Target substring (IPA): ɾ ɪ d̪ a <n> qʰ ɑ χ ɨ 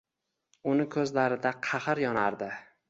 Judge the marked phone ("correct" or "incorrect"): incorrect